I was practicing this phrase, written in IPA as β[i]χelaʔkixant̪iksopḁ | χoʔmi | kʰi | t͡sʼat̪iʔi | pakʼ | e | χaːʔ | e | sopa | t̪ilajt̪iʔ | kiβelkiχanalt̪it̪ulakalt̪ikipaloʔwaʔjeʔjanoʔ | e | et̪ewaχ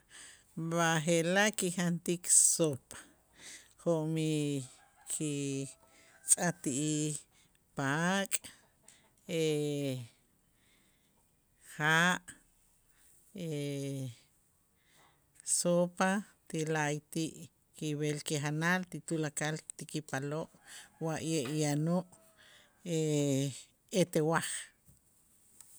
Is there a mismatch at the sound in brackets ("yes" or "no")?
yes